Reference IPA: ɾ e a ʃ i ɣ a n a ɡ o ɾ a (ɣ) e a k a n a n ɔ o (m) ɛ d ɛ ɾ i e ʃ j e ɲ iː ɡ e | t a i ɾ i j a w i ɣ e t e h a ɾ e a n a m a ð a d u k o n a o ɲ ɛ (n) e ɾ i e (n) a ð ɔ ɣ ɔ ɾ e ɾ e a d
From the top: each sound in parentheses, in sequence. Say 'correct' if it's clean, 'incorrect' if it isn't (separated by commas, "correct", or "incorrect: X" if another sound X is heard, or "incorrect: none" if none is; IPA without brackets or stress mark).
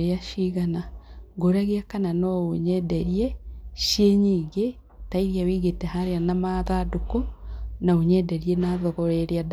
correct, incorrect: ɲ, incorrect: d, correct